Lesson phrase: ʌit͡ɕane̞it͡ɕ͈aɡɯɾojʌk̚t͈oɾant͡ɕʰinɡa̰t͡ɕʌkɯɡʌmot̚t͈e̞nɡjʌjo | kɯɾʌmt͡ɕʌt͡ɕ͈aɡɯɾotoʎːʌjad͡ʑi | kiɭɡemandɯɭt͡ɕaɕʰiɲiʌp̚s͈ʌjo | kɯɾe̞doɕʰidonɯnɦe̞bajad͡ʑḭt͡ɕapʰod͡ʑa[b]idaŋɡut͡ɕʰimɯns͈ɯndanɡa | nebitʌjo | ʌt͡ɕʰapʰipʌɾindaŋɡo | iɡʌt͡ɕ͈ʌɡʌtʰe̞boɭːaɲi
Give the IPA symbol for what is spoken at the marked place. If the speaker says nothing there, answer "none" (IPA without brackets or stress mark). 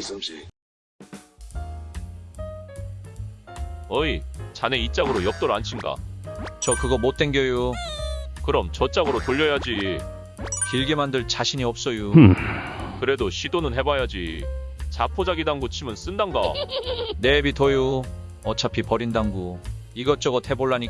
ɡ